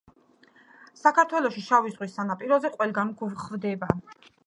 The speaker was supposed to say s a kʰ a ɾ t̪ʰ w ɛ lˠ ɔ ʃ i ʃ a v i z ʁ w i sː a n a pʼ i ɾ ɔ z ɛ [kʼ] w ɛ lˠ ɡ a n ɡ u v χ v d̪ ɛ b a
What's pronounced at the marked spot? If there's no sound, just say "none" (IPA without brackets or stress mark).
qʼ